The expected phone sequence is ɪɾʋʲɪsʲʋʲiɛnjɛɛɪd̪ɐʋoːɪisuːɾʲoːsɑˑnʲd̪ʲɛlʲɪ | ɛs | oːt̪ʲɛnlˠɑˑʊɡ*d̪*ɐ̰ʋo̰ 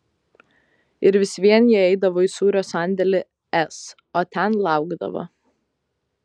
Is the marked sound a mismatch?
no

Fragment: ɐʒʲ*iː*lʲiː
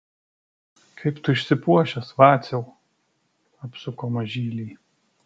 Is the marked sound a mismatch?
no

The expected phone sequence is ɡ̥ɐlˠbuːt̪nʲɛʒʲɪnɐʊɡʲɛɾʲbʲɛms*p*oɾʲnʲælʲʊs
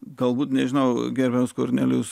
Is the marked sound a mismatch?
yes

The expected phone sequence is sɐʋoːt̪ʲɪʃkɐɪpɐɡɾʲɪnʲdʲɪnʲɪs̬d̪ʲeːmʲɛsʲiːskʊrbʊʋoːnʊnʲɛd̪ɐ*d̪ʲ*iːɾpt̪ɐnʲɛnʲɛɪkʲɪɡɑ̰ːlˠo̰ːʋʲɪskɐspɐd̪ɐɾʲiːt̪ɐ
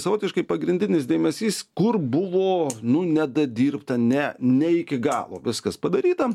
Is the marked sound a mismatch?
no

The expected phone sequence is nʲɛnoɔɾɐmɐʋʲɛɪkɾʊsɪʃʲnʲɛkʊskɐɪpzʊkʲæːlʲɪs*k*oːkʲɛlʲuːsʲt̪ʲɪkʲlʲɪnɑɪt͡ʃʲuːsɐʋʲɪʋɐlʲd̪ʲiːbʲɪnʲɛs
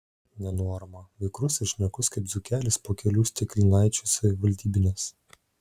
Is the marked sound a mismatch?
yes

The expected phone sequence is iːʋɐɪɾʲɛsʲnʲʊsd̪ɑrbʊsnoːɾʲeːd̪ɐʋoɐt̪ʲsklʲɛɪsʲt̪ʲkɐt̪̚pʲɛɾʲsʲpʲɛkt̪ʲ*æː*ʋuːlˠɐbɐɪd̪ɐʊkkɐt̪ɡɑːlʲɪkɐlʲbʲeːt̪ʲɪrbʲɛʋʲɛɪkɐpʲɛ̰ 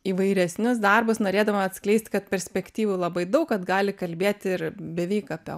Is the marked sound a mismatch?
yes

